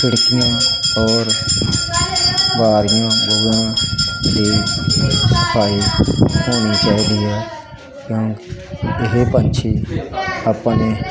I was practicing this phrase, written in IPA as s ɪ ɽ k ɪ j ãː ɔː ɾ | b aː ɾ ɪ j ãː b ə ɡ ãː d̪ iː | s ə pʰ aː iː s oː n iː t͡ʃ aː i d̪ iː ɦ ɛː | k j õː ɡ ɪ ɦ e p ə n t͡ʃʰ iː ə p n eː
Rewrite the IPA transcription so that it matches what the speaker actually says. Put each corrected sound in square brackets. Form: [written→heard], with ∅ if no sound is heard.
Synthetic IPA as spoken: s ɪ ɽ k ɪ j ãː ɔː ɾ | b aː ɾ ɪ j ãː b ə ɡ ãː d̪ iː | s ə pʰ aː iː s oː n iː t͡ʃ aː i d̪ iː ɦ ɛː | k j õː [ɡ→k] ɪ ɦ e p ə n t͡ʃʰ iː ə p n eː